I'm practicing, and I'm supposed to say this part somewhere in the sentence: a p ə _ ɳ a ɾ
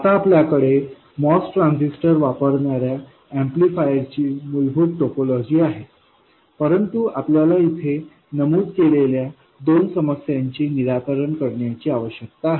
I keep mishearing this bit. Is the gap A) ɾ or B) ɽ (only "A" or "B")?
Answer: A